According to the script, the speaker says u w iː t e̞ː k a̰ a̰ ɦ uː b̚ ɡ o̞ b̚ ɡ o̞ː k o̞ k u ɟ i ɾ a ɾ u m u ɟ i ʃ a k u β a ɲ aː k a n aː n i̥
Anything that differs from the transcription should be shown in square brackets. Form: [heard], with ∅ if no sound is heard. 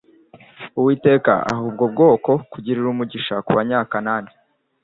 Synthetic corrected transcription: u w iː t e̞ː k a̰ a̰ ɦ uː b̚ ɡ o̞ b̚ ɡ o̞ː k o̞ k u ɟ i ɾ [i] ɾ u m u ɟ i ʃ a k u β a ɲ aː k a n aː n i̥